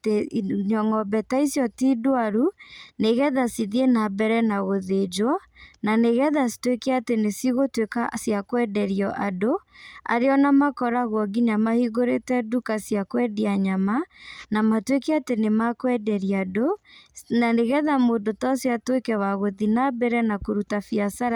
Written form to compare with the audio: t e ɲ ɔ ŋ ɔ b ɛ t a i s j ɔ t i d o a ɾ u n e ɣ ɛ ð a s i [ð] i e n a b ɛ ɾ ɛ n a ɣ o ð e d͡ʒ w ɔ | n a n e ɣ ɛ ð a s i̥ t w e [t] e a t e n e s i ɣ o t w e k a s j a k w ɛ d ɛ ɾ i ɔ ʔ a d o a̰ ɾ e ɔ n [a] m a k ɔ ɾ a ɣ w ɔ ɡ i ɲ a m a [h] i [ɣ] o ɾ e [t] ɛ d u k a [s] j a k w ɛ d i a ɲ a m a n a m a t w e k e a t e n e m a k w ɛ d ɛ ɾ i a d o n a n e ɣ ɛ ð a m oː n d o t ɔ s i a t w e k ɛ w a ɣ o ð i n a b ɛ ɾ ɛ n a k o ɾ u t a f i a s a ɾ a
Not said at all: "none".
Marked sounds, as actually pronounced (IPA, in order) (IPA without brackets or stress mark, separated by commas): ð, k, a, h, ɣ, t, s